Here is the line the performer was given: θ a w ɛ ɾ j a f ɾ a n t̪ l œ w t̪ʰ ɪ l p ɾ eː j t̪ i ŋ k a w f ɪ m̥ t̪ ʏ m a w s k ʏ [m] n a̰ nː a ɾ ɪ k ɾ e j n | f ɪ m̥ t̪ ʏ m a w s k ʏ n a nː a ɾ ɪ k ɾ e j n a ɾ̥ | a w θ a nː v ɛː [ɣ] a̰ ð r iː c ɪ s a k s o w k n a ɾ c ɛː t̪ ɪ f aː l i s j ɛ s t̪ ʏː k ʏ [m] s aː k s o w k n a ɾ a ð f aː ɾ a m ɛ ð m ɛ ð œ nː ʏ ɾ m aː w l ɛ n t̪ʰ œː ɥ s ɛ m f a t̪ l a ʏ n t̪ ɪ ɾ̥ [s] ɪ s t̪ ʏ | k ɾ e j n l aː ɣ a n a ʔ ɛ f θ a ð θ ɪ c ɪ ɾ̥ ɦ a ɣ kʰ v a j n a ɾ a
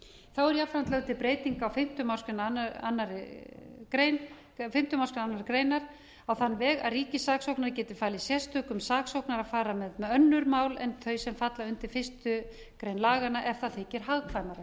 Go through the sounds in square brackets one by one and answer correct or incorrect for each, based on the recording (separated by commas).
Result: incorrect, correct, correct, incorrect